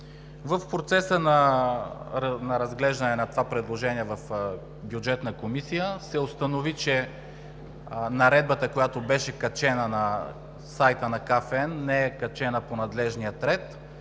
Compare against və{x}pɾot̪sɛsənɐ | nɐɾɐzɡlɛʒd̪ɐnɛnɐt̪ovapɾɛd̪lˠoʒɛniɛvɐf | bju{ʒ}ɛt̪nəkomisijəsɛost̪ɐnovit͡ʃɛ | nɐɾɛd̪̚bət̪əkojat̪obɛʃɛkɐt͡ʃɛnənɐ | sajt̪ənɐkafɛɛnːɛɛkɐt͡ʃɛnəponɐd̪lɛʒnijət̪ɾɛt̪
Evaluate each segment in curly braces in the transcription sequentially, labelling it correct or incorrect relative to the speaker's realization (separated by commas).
incorrect, incorrect